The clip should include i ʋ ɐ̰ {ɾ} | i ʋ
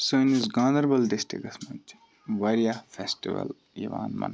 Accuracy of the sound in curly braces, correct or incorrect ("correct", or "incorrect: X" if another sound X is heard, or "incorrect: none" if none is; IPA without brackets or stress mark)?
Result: incorrect: l